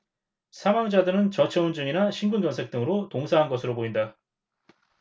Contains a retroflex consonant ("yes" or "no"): no